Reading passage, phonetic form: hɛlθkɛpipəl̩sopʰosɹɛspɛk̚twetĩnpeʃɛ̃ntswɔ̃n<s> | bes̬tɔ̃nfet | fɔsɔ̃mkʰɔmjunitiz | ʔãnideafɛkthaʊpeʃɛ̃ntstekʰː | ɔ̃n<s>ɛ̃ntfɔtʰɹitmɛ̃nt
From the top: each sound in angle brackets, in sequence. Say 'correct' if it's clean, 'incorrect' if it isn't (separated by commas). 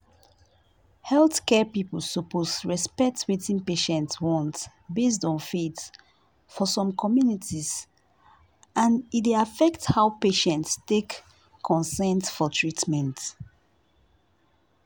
incorrect, correct